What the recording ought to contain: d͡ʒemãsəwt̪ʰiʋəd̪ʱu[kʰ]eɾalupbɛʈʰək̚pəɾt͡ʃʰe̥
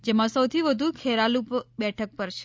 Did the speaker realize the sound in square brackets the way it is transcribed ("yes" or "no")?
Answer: yes